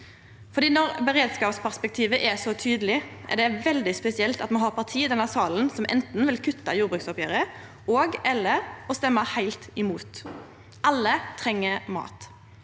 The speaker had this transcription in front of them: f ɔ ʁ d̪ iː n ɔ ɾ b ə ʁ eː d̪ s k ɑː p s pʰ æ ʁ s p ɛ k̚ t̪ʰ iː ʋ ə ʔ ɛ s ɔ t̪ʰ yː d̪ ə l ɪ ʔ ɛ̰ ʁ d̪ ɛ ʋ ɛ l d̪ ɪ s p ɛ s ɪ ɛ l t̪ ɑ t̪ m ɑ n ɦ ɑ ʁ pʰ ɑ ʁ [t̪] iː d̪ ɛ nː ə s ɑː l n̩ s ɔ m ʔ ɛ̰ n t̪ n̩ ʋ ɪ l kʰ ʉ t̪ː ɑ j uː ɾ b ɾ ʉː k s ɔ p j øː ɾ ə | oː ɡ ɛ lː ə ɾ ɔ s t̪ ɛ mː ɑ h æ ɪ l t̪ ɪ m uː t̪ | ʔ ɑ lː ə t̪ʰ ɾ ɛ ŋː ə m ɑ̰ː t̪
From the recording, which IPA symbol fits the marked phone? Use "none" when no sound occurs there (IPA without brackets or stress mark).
t̪ʰ